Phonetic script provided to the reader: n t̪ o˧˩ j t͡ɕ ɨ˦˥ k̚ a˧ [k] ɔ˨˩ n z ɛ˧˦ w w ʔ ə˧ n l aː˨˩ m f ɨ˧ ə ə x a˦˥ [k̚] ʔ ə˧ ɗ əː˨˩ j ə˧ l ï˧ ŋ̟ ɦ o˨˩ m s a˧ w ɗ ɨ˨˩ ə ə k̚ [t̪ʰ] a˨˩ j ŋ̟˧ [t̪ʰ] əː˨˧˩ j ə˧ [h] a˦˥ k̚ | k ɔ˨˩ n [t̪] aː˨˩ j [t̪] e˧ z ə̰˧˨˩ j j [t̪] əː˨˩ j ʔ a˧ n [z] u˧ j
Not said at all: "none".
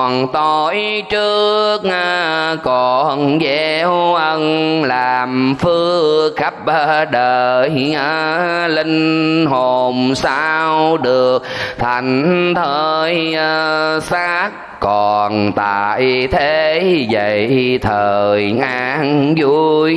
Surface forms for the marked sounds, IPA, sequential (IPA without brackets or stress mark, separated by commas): k, p̚, t̪ʰ, t̪ʰ, s, t̪, t̪ʰ, t̪ʰ, z